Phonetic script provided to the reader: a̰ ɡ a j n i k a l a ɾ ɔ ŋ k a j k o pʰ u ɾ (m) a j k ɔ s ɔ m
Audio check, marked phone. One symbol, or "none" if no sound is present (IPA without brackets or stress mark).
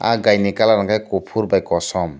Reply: b